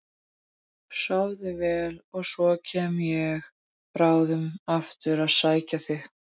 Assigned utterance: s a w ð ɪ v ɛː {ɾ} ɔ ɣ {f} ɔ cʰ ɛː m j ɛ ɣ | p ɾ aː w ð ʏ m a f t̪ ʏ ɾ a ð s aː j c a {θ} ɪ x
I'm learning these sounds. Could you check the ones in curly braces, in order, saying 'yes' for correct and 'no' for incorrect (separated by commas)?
no, no, yes